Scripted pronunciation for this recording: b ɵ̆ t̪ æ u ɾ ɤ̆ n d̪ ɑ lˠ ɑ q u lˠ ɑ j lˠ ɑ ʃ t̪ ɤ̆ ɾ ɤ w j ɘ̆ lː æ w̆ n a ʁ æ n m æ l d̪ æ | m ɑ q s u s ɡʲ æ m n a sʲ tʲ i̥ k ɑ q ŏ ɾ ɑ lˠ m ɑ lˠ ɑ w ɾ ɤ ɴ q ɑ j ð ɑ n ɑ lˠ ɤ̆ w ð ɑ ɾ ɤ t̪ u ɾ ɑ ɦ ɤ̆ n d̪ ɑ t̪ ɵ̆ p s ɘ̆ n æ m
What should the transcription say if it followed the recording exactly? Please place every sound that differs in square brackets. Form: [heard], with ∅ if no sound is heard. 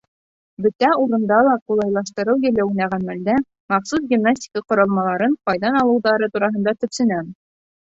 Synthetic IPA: b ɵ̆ t̪ æ u ɾ ɤ̆ n d̪ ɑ lˠ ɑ q u lˠ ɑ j lˠ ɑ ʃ t̪ ɤ̆ ɾ ɤ w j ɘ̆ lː æ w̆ n [æ] ʁ æ n m æ l d̪ æ | m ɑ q s u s ɡʲ [i] m n a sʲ tʲ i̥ k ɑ q ŏ ɾ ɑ lˠ m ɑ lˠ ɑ [∅] ɾ ɤ ɴ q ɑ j ð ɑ n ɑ lˠ ɤ̆ w ð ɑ ɾ ɤ t̪ u ɾ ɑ ɦ ɤ̆ n d̪ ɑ t̪ ɵ̆ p s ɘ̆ n æ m